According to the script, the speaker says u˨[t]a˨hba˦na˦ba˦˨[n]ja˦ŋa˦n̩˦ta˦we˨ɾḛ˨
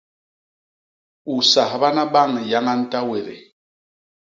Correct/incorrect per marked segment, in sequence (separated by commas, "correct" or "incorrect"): incorrect, incorrect